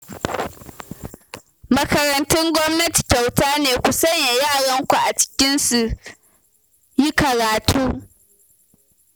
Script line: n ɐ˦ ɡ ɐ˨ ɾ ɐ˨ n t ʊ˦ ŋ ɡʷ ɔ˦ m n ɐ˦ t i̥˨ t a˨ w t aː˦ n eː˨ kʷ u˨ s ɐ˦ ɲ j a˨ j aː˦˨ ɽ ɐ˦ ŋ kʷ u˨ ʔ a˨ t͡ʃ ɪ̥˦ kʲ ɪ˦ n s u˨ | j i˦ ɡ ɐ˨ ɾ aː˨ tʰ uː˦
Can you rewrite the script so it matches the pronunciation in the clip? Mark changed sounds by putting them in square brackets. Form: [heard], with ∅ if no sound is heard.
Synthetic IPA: [m] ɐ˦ [k] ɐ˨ ɾ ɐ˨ n t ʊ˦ ŋ ɡʷ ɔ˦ m n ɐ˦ t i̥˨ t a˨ w t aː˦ n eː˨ kʷ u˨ s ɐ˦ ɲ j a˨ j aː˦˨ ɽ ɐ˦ ŋ kʷ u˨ ʔ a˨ t͡ʃ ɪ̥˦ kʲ ɪ˦ n s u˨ | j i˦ [k] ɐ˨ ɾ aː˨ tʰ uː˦